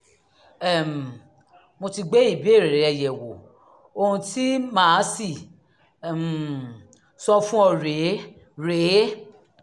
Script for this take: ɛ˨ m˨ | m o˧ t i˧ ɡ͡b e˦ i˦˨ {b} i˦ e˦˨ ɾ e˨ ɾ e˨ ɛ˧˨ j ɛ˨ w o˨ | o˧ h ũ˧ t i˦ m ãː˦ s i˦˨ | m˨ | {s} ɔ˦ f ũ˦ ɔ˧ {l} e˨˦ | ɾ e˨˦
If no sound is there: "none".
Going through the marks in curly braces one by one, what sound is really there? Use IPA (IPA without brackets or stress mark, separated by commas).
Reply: b, s, ɾ